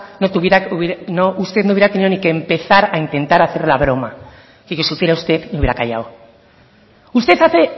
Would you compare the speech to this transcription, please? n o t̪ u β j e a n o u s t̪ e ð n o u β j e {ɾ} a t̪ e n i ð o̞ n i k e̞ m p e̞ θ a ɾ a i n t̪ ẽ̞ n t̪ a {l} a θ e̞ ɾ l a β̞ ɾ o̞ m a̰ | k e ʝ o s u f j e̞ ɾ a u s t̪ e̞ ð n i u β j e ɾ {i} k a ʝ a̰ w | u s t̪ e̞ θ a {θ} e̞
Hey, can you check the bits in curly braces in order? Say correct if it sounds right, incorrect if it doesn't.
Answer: correct, incorrect: ɾ, incorrect: a, correct

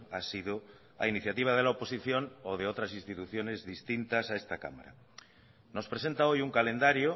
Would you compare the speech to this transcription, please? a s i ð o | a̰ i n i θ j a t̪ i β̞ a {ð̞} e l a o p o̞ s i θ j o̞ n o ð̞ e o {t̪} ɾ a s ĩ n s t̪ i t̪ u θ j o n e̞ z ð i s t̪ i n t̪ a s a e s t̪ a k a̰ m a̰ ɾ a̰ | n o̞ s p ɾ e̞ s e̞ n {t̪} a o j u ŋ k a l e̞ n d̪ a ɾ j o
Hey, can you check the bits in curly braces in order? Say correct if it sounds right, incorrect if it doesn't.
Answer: correct, correct, correct

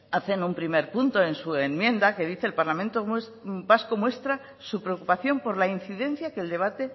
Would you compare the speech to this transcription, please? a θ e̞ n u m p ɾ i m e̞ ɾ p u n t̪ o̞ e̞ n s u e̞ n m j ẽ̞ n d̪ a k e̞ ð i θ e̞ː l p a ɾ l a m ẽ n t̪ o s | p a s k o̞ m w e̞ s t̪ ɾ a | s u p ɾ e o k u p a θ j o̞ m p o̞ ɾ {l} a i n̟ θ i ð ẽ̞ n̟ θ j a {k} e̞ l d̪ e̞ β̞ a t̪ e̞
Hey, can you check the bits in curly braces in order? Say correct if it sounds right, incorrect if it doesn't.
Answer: correct, correct

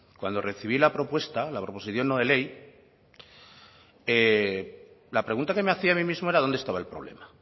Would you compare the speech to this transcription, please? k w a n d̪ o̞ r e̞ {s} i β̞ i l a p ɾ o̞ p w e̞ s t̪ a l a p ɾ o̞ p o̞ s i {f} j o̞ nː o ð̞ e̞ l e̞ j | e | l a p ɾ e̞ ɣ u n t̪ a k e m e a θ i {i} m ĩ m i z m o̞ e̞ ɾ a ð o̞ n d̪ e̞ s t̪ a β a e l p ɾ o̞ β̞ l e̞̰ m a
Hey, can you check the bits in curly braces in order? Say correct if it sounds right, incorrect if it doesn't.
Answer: incorrect: θ, incorrect: θ, incorrect: a

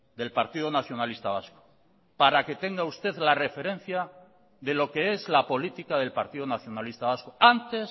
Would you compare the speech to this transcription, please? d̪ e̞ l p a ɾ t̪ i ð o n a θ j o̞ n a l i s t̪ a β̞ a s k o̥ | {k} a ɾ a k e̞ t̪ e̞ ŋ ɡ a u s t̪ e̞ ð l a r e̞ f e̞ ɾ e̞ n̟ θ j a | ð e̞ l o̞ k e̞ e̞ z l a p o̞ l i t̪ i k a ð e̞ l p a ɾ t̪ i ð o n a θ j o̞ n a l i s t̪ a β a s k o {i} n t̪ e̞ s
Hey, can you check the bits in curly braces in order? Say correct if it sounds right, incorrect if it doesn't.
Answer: incorrect: p, incorrect: a

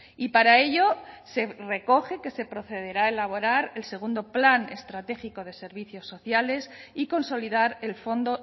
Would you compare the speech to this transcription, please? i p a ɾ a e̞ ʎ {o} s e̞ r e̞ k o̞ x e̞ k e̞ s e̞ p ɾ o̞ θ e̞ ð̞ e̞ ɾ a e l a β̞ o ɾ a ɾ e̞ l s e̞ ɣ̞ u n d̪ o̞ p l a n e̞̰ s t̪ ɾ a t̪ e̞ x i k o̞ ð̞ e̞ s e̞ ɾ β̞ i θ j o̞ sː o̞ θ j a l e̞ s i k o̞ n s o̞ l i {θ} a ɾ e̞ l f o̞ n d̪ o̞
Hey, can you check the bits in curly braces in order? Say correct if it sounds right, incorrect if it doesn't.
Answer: correct, incorrect: ð

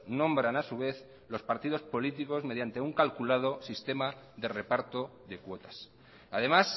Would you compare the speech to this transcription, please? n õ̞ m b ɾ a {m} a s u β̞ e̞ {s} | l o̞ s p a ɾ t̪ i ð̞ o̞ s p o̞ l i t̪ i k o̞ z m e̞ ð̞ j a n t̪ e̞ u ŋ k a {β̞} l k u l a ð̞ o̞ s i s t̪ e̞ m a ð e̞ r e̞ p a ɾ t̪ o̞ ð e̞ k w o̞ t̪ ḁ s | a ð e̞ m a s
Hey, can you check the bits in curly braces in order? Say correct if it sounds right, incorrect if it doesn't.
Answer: incorrect: n, incorrect: θ, incorrect: none

